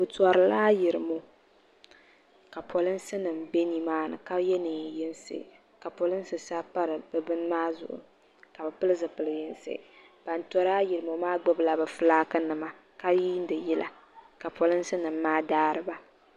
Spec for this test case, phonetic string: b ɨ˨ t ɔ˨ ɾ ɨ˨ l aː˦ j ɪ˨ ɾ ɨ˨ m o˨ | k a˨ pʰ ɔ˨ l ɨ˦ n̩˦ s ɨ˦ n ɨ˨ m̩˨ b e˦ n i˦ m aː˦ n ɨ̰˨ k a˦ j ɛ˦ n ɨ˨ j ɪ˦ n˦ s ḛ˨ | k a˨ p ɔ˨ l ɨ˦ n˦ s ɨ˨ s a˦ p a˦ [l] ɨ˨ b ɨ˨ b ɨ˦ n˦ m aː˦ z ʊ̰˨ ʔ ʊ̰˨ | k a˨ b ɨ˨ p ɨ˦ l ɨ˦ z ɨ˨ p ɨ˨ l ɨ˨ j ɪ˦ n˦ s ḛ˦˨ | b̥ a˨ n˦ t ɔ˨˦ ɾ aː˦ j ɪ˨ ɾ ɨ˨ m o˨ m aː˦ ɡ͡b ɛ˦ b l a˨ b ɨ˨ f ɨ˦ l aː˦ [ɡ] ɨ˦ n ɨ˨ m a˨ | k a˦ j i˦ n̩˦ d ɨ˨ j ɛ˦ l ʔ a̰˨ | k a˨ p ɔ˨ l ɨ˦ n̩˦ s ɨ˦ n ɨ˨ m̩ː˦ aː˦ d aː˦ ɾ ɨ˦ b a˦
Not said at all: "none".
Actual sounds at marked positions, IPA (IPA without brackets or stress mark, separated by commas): ɾ, k